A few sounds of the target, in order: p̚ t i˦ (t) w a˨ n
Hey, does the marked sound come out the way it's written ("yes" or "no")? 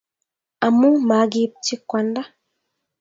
no